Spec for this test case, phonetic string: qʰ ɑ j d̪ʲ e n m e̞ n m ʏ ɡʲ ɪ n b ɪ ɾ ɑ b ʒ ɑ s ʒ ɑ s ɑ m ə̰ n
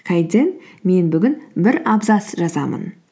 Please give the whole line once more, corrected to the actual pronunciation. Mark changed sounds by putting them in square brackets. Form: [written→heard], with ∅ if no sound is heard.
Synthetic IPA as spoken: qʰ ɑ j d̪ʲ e n m e̞ n [m→b] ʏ ɡʲ ɪ n b ɪ ɾ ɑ b [ʒ→z] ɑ s ʒ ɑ [s→z] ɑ m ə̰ n